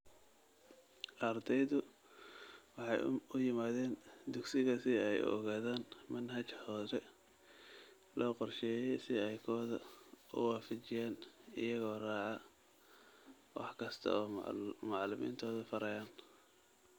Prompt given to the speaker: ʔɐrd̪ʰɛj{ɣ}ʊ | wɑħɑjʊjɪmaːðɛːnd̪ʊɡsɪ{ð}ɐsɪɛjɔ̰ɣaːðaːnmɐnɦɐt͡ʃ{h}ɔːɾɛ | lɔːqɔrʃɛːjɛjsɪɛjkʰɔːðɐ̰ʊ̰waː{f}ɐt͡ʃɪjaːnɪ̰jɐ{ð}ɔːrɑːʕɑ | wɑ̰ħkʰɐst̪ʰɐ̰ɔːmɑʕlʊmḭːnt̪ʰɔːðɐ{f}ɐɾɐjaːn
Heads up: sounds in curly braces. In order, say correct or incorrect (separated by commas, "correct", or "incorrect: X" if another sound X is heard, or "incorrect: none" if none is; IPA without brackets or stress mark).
incorrect: ð, incorrect: ɣ, correct, correct, incorrect: ɣ, correct